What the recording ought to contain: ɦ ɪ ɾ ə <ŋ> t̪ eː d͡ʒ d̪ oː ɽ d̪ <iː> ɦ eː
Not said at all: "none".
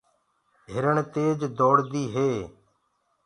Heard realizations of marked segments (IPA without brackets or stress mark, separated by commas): ɳ, iː